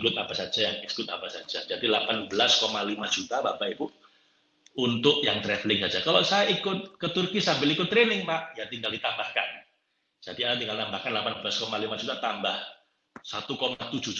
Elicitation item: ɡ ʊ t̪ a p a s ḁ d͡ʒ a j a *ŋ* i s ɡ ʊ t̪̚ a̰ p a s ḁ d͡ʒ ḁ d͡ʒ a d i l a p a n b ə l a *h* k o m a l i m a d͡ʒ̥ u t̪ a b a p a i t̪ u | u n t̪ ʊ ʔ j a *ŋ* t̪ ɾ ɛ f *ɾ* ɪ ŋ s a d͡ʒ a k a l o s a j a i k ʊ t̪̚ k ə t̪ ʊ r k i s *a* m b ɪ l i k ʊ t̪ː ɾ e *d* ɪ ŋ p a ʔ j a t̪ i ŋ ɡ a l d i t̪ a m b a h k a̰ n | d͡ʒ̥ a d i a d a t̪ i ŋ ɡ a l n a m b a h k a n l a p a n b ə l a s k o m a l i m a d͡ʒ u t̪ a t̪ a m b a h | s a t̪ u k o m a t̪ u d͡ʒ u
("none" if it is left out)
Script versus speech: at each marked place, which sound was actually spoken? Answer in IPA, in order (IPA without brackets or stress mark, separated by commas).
ŋ, s, ŋ, l, a, n